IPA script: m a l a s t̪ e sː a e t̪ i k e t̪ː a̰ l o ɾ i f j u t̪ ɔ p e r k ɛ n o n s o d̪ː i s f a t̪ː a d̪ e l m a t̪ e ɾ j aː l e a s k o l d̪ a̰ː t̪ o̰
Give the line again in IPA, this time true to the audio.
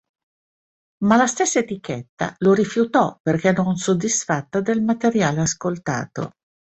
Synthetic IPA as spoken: m a l a s t̪ e sː a e t̪ i k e t̪ː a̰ l o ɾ i f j u t̪ ɔ p e r k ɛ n o n s o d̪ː i s f a t̪ː a d̪ e l m a t̪ e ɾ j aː l e a s k o l t̪ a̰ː t̪ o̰